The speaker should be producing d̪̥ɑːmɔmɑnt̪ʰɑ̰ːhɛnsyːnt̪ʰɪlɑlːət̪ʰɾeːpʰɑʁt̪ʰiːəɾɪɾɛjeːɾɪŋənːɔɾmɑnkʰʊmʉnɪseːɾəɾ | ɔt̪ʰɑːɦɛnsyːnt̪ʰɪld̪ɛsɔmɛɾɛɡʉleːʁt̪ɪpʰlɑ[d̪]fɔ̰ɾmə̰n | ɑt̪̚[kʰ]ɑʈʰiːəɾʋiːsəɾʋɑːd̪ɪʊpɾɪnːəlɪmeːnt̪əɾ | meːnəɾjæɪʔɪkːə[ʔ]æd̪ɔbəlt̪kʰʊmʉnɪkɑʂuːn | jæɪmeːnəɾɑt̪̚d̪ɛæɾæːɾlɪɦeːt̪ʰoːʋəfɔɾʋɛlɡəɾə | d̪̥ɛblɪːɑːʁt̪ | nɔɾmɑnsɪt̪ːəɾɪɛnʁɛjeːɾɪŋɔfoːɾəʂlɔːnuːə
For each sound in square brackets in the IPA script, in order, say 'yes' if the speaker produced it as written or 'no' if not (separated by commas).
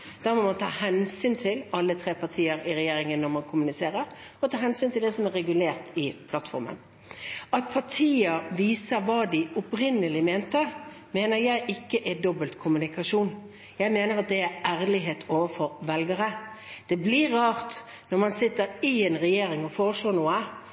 no, no, yes